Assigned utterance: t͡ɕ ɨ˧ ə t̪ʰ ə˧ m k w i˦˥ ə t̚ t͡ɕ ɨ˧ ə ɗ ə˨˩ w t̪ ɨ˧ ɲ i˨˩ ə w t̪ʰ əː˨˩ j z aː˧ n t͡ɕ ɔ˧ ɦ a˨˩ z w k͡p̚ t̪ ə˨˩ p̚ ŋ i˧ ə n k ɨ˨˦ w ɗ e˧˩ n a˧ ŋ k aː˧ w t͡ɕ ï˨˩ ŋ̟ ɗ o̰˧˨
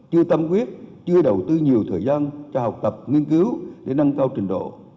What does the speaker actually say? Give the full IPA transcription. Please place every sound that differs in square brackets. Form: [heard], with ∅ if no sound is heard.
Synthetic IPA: t͡ɕ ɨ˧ ə [t̪] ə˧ m k w i˦˥ ə t̚ t͡ɕ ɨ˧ ə ɗ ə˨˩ w t̪ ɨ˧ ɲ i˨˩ ə w t̪ʰ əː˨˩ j z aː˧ n t͡ɕ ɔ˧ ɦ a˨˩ [∅] w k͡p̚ t̪ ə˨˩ p̚ ŋ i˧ ə n k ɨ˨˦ w ɗ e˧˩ n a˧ ŋ k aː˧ w t͡ɕ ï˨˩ ŋ̟ ɗ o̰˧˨